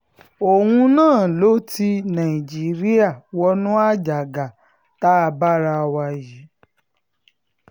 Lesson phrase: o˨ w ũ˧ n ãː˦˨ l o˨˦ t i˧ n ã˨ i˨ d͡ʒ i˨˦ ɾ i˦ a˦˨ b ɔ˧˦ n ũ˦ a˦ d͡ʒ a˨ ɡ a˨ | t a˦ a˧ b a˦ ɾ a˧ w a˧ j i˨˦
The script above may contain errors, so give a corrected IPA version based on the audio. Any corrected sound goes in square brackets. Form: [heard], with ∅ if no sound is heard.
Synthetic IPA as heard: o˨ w ũ˧ n ãː˦˨ l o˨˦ t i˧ n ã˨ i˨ d͡ʒ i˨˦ ɾ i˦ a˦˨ [w] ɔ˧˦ n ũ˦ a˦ d͡ʒ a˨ ɡ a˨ | t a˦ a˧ b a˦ ɾ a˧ w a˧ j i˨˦